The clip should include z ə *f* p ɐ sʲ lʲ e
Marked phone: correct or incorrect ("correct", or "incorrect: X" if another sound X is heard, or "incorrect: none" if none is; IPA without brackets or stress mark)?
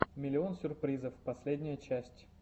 correct